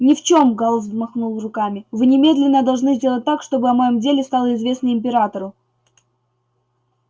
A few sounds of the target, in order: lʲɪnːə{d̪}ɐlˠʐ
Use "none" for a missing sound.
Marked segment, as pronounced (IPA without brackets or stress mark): d̪